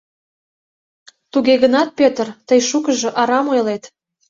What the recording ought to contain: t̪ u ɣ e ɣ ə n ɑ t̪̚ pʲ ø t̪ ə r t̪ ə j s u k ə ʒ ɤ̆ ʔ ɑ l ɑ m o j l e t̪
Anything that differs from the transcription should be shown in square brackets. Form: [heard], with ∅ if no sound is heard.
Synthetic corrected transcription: t̪ u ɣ e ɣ ə n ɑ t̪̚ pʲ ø t̪ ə r t̪ ə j [ʃ] u k ə ʒ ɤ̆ ʔ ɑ [ɾ] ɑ m o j l e t̪